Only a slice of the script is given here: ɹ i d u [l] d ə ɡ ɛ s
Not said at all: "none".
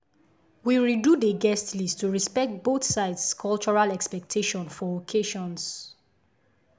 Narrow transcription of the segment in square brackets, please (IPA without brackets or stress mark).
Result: none